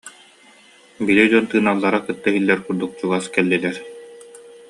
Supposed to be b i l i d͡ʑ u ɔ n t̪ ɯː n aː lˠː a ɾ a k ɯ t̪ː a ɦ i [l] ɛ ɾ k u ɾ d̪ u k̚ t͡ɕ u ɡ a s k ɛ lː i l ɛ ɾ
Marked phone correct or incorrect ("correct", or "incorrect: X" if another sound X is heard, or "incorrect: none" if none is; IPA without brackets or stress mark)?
incorrect: lː